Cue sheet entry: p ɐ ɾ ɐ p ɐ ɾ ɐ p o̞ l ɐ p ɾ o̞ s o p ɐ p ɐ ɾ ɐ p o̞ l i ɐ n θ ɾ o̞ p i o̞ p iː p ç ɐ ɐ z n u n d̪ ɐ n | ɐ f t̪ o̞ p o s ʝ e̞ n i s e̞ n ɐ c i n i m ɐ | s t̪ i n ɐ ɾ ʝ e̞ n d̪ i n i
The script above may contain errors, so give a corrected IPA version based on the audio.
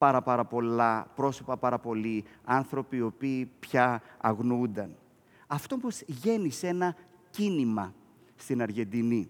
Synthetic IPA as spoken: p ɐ ɾ ɐ p ɐ ɾ ɐ p o̞ l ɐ p ɾ o̞ s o p ɐ p ɐ ɾ ɐ p o̞ l i ɐ n θ ɾ o̞ p i o̞ p iː p ç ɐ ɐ ɣ n u n d̪ ɐ n | ɐ f t̪ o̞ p o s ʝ e̞ n i s e̞ n ɐ c i n i m ɐ | s t̪ i n ɐ ɾ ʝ e̞ n d̪ i n i